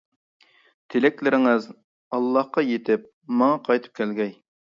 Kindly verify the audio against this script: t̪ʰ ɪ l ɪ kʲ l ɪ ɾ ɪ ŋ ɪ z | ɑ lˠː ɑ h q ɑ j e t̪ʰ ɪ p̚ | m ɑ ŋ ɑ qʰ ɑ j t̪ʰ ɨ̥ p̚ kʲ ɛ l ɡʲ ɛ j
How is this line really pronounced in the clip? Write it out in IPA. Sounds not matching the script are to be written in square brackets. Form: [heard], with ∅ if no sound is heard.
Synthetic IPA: t̪ʰ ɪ l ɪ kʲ l ɪ ɾ ɪ ŋ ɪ z | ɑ lˠː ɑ h q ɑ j e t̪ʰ ɪ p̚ | m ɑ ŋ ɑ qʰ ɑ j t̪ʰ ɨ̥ p̚ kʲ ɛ l ɡʲ ɛ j

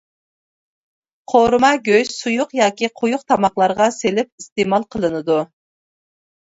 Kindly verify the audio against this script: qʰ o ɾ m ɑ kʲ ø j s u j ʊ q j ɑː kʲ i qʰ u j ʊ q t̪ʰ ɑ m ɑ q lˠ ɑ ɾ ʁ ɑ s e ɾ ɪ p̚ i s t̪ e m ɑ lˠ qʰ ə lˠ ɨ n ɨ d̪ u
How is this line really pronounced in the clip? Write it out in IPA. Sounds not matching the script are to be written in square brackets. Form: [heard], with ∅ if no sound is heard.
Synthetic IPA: qʰ o ɾ m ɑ [ɡʲ] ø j s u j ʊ q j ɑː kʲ i qʰ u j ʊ q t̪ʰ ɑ m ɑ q lˠ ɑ ɾ ʁ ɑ s e [l] ɪ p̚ i s t̪ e m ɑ lˠ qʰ ə lˠ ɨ n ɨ d̪ u

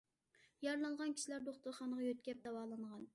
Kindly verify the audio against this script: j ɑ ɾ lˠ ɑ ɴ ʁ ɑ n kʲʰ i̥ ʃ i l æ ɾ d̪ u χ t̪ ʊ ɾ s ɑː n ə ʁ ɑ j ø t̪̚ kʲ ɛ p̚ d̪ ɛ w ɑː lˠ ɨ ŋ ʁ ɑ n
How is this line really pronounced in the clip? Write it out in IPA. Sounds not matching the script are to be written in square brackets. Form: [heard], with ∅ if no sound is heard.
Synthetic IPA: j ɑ ɾ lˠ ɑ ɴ ʁ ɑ n kʲʰ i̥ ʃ i l æ ɾ d̪ [o] χ t̪ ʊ ɾ [χ] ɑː n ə ʁ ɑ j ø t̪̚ kʲ ɛ p̚ d̪ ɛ w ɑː lˠ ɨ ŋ ʁ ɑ n

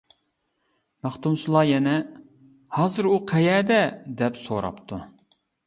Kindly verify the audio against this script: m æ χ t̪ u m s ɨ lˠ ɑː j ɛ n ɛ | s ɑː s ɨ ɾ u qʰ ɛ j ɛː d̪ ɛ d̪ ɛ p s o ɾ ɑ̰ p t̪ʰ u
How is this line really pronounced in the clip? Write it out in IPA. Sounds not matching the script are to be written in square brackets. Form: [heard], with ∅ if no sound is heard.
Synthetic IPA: m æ χ t̪ u m s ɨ lˠ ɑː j ɛ n ɛ | [h] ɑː [z] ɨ ɾ u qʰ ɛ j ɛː d̪ ɛ d̪ ɛ p s o ɾ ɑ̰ p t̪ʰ u

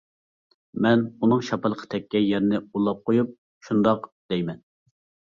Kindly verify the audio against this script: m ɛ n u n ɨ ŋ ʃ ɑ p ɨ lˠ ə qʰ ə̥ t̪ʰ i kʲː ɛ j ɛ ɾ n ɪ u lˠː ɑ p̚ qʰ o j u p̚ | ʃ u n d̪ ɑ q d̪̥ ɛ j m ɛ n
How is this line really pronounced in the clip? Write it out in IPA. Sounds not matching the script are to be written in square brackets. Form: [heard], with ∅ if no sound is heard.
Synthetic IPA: m ɛ n u n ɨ ŋ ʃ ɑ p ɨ lˠ ə qʰ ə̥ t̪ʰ [ɛ] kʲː ɛ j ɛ ɾ n ɪ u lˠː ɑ p̚ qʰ o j u p̚ | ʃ u n d̪ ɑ q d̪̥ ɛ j m ɛ n

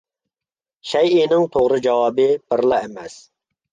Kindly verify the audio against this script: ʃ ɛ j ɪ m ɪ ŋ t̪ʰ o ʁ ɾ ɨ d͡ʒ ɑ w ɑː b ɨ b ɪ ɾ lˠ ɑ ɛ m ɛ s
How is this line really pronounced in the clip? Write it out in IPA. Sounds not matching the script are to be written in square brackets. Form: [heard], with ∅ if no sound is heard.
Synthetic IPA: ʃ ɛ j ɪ [n] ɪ ŋ t̪ʰ o ʁ ɾ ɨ d͡ʒ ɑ w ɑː b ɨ b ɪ ɾ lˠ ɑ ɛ m ɛ s

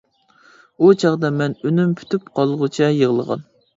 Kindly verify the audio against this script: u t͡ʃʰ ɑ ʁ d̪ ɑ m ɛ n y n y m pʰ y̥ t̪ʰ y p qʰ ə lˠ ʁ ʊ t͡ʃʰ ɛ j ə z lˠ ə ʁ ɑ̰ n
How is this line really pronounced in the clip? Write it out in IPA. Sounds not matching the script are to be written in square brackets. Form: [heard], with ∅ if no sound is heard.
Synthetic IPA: u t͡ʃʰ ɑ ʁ d̪ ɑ m ɛ n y n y m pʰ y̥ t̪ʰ y p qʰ [ɑ] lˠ ʁ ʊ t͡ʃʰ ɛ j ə [ʁ] lˠ ə ʁ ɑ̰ n

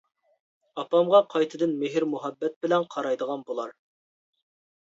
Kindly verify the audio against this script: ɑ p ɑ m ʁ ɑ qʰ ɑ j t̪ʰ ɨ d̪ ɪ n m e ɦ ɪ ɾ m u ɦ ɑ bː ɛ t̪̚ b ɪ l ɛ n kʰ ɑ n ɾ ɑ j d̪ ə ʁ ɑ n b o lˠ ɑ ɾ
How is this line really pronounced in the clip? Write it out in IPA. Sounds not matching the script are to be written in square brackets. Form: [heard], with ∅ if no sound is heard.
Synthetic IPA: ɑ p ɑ m ʁ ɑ qʰ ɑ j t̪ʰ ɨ d̪ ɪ n m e ɦ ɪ ɾ m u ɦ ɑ bː ɛ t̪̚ b ɪ l ɛ n [qʰ] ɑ [∅] ɾ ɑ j d̪ ə ʁ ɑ n b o lˠ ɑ ɾ

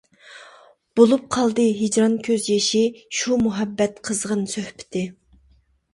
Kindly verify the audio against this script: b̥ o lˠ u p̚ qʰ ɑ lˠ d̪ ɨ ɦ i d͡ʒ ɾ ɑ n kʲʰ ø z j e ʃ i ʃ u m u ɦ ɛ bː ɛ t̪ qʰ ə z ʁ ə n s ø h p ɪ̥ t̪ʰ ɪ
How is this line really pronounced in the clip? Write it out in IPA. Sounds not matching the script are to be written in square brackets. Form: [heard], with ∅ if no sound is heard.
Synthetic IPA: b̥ o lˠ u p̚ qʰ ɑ lˠ d̪ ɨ ɦ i d͡ʒ ɾ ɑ n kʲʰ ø z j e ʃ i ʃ u m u ɦ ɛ bː ɛ t̪ qʰ ə z ʁ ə n s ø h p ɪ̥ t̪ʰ ɪ

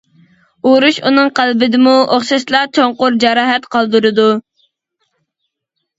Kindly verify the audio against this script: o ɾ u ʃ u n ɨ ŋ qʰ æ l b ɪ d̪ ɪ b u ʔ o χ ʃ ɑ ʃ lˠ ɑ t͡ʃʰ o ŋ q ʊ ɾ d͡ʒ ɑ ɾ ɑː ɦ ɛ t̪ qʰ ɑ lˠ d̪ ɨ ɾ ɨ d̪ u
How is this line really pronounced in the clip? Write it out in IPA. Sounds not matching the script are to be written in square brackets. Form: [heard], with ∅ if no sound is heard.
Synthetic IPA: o ɾ u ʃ u n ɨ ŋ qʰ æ l b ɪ d̪ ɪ [m] u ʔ o χ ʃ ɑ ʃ lˠ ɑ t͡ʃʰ o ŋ q ʊ ɾ d͡ʒ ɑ ɾ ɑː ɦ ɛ t̪ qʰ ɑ lˠ d̪ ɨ ɾ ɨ d̪ u

